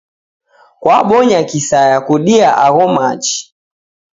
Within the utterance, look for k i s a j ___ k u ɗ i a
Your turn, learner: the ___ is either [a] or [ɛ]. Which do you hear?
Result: a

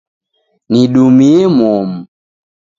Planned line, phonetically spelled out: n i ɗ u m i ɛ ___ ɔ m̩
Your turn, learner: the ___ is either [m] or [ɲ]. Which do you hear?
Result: m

